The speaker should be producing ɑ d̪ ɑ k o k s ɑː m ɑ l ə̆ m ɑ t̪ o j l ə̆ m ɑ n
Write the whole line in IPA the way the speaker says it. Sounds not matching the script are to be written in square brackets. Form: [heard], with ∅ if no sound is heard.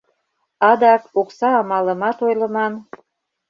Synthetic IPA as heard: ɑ d̪ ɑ k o k s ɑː m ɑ l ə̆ m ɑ t̪ o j l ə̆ m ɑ n